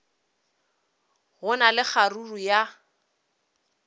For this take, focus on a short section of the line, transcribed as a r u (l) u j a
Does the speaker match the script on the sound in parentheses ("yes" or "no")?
no